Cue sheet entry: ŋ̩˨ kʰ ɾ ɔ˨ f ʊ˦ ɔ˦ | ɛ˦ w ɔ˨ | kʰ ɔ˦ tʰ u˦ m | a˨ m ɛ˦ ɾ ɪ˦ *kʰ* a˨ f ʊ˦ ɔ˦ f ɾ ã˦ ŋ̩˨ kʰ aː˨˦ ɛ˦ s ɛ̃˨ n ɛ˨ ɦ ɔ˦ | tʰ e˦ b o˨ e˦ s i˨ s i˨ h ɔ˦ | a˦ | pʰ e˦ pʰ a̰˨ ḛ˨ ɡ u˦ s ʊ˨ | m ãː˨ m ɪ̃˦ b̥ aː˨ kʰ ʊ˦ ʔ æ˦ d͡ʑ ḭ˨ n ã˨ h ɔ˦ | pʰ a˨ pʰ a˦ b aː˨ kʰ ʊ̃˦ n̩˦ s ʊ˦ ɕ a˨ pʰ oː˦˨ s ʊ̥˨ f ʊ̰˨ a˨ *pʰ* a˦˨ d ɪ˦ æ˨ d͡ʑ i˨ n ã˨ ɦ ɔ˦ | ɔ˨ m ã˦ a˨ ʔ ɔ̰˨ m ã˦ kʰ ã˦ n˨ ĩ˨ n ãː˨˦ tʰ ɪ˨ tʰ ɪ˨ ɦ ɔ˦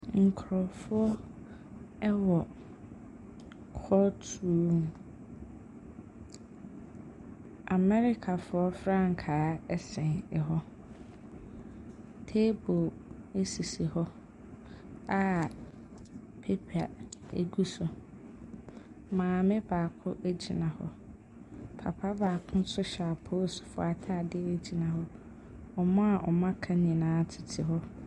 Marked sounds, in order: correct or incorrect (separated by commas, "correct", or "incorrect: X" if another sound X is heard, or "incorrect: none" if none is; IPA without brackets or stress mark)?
correct, incorrect: tʰ